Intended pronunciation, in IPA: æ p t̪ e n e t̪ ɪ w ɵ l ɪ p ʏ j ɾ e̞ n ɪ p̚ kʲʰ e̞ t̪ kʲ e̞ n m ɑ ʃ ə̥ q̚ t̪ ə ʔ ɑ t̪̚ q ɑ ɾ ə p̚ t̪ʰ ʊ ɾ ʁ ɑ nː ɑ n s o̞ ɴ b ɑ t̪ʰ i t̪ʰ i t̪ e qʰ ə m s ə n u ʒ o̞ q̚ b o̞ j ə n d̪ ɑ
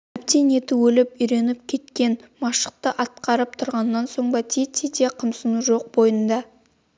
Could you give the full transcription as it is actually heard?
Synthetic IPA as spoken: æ p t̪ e n e t̪ ɪ w ɵ l ɪ p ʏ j ɾ e̞ n ɪ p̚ kʲʰ e̞ t̪ kʲ e̞ n m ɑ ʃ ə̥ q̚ t̪ ə ʔ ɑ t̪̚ q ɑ ɾ ə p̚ t̪ʰ ʊ ɾ ʁ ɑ nː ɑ n s o̞ ɴ b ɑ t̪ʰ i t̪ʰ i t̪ e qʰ ə m s ə n u ʒ o̞ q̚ b o̞ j ə n d̪ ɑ

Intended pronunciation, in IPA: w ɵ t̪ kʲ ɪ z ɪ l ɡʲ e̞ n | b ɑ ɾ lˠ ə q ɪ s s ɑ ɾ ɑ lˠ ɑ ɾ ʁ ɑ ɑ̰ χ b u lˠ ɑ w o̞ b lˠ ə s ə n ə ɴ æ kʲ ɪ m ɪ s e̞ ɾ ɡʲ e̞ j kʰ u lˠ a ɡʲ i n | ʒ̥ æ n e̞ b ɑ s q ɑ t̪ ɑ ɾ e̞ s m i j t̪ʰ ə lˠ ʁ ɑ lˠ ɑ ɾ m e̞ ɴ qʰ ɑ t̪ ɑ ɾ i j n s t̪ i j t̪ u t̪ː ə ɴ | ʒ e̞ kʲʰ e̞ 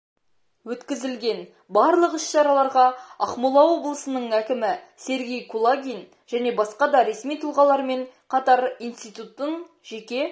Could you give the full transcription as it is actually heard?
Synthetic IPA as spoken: w ɵ t̪ kʲ ɪ z ɪ l ɡʲ e̞ n | b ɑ ɾ lˠ ə q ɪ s ʃ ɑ ɾ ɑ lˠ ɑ ɾ ʁ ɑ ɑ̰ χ m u lˠ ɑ w o̞ b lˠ ə s ə n ə ɴ æ kʲ ɪ m ɪ s e̞ ɾ ɡʲ e̞ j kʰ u lˠ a ɡʲ i n | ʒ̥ æ n e̞ b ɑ s q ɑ d̪ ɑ ɾ e̞ s m i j t̪ʰ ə lˠ ʁ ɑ lˠ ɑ ɾ m e̞ ɴ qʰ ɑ t̪ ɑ ɾ i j n s t̪ i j t̪ u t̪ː ə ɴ | ʒ e̞ kʲ e̞

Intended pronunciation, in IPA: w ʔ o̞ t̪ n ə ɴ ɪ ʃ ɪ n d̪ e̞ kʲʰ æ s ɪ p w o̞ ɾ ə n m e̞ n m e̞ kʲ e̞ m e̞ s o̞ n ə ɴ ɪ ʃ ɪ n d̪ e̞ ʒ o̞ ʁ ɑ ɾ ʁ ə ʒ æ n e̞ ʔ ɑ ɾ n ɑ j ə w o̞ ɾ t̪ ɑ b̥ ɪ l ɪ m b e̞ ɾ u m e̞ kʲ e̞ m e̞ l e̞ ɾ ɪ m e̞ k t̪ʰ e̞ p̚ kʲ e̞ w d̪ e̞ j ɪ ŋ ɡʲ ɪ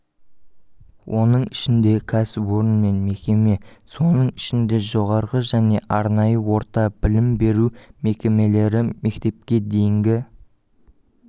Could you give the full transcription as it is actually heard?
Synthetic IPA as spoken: w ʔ o̞ n ə ɴ ɪ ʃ ɪ n d̪ e̞ kʲʰ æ s ɪ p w o̞ ɾ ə n m e̞ n m e̞ kʲ e̞ m e̞ s o̞ n ə ɴ ɪ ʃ ɪ n d̪ e̞ ʒ o̞ ʁ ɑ ɾ ʁ ə ʒ æ n e̞ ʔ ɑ ɾ n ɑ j ə w o̞ ɾ t̪ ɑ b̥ ɪ l ɪ m b e̞ ɾ u m e̞ kʲ e̞ m e̞ l e̞ ɾ ɪ m e̞ k t̪ e̞ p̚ kʲ e̞ d̪ e̞ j ɪ ŋ ɡʲ ɪ

